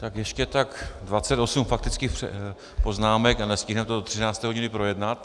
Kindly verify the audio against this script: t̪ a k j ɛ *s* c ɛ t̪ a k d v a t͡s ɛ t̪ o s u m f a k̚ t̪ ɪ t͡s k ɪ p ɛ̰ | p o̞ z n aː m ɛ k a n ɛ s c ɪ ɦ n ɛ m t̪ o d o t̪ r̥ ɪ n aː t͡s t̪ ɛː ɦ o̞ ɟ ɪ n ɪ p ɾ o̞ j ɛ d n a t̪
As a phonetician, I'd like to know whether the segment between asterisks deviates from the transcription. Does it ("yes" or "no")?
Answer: yes